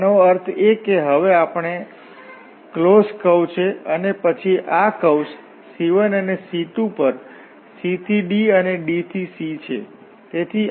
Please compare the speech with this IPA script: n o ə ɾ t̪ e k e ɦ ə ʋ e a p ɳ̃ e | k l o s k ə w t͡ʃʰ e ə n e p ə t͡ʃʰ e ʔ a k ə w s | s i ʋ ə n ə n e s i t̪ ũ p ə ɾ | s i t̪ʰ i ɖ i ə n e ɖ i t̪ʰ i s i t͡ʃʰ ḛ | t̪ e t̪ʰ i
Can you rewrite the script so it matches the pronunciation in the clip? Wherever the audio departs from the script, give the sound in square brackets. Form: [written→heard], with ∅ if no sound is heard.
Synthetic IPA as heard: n o ə ɾ [t̪→t̪ʰ] e k e ɦ ə ʋ e a p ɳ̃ e | k l o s k ə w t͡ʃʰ e ə n e p ə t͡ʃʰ [e→i] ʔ a k ə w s | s i ʋ ə n ə n e s i t̪ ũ p ə ɾ | s i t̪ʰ i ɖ i ə n e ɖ i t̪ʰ i s i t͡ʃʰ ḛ | t̪ e t̪ʰ i